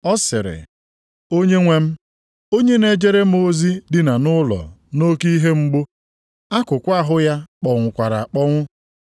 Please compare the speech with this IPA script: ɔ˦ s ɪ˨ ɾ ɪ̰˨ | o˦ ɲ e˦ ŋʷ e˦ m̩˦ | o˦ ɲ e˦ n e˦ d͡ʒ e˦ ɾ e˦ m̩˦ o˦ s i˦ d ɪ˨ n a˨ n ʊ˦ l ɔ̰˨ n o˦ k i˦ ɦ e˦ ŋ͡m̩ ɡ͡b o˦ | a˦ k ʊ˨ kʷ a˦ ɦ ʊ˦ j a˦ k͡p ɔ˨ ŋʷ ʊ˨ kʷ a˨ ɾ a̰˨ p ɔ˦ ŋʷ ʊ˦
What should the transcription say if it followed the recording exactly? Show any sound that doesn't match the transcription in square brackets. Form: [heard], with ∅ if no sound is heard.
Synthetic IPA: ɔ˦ s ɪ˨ ɾ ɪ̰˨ | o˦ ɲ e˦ ŋʷ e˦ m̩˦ | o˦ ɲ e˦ n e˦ d͡ʒ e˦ ɾ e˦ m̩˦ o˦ [z] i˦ d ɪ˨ n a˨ n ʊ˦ l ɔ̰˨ n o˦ k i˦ ɦ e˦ ŋ͡m̩ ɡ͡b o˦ | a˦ k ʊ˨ kʷ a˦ ɦ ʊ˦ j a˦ k͡p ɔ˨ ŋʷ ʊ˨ kʷ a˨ ɾ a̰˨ [k͡p] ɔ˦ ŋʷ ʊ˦